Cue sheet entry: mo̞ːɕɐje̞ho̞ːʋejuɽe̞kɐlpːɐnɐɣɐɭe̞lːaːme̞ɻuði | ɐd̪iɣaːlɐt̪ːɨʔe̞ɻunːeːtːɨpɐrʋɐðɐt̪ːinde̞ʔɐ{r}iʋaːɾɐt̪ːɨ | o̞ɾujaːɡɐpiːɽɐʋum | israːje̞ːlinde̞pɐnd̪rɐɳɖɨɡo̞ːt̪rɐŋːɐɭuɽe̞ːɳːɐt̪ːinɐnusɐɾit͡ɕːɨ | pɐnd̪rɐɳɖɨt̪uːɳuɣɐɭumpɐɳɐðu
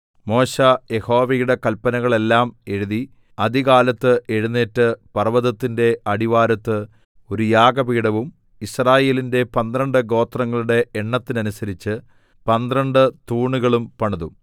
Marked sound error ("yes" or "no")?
yes